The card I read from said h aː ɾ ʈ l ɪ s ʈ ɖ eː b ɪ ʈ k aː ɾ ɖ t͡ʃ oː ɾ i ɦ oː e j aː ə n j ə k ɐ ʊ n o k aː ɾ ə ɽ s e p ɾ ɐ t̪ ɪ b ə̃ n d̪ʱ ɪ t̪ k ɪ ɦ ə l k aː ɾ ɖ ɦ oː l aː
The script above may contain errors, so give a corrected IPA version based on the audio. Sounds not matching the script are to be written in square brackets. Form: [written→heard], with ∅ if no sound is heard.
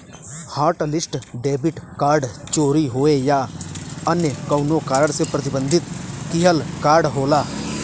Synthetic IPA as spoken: h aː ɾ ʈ l ɪ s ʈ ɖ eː b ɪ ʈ k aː ɾ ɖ t͡ʃ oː ɾ i ɦ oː e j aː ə n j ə k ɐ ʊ n o k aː ɾ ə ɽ s e p ɾ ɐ t̪ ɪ b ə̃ n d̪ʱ ɪ t̪ k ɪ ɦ ə l k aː ɾ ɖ ɦ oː l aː